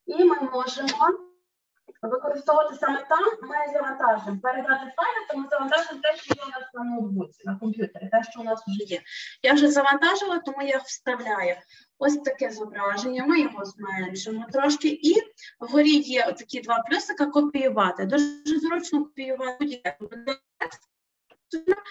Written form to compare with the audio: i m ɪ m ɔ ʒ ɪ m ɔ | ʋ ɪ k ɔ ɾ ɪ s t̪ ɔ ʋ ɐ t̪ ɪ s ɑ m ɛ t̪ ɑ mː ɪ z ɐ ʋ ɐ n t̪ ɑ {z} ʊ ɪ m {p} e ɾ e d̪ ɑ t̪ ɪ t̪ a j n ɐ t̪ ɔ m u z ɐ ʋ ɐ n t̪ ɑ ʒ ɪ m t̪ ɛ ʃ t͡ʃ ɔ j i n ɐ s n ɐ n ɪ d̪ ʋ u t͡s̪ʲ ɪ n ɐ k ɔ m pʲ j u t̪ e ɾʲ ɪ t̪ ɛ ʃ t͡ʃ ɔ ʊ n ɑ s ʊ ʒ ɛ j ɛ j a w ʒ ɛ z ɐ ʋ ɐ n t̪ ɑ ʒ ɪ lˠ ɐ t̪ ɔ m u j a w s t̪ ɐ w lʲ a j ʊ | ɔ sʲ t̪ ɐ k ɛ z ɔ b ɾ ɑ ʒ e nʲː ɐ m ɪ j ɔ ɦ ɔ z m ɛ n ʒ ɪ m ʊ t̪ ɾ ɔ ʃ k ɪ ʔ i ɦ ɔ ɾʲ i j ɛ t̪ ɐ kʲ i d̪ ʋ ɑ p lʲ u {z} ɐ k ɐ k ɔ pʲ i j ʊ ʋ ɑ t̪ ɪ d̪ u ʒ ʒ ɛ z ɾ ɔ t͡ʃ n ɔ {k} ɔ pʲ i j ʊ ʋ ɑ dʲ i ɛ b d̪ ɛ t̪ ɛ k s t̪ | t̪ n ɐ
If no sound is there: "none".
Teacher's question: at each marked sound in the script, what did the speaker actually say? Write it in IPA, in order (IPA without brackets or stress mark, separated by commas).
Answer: ʒ, p, s, k